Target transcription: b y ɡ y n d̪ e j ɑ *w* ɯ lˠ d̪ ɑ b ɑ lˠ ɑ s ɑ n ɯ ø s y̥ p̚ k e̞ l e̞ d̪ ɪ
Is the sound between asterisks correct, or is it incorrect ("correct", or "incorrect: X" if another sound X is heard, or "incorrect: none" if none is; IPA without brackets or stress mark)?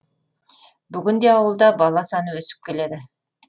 correct